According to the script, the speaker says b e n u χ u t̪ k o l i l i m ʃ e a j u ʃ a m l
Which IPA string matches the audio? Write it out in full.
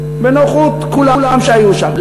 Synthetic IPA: b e n o χ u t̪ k u l a l a m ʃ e a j u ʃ a m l

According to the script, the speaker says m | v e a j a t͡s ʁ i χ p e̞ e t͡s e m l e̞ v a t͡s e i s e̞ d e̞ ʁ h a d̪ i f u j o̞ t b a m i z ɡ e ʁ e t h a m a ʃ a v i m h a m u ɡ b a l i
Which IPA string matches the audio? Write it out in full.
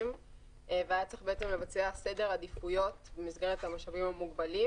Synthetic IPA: m | v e a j a t͡s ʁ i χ b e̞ e t͡s e m l e̞ v a t͡s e a s e̞ d e̞ ʁ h a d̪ i f u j o̞ t b e m i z ɡ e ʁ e t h a m a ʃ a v i m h a m u ɡ b a l i

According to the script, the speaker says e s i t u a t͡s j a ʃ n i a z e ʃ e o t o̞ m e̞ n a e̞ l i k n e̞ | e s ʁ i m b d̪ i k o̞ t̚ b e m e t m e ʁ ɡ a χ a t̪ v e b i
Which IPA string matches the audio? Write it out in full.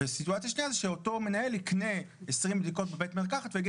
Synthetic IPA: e s i t u a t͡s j a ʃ n i a z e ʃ e o t o̞ m e̞ n a e̞ l i k n e̞ | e s ʁ i m b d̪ i k o̞ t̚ b e b e t m e ʁ k a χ a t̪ v e ɡ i

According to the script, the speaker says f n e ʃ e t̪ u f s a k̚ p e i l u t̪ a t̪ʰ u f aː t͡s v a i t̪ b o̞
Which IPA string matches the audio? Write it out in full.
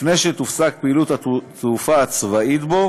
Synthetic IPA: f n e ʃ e t̪ u f s a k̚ p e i l u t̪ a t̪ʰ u f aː t͡s v a i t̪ b o̞

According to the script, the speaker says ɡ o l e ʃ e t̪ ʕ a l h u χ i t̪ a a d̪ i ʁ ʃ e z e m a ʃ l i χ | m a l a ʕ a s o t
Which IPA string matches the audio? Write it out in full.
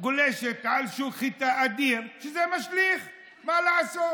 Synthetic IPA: ɡ o l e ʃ e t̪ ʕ a l ʃ u χ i t̪ a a d̪ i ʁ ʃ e z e m a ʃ l i χ | m a l a ʕ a s o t

